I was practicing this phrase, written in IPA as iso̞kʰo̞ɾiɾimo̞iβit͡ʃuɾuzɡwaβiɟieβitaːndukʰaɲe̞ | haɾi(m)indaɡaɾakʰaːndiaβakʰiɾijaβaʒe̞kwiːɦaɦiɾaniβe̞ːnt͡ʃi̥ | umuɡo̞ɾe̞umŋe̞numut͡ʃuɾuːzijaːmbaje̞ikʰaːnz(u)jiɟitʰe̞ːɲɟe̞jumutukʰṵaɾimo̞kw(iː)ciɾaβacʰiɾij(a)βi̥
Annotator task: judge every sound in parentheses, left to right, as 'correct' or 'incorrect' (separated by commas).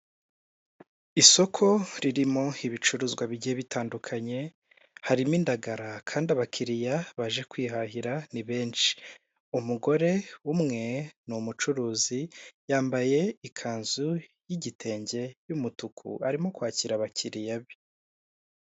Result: correct, correct, incorrect, correct